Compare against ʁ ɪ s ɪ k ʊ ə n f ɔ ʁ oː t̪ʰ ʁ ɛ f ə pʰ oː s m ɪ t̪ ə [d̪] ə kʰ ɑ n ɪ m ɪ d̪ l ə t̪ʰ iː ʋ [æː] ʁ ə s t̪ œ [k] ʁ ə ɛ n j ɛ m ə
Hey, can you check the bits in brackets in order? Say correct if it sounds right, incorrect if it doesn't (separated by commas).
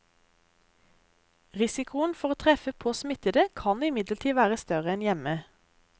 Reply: correct, correct, incorrect